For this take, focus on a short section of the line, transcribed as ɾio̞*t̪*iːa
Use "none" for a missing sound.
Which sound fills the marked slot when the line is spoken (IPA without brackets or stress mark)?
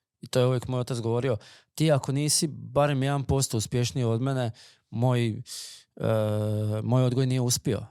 t̪